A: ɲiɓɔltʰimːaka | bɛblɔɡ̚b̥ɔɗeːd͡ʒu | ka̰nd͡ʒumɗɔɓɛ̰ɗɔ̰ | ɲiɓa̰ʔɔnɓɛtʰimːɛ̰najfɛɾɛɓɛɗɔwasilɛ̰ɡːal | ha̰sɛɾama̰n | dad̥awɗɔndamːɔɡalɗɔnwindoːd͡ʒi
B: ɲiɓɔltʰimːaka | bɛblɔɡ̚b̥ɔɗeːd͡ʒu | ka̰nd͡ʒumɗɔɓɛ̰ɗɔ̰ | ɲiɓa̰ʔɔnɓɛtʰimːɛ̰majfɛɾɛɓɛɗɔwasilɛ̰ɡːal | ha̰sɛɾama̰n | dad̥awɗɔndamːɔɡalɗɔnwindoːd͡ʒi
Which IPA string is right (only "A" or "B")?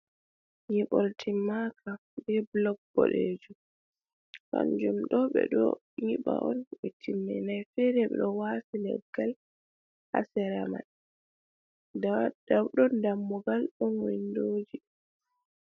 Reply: A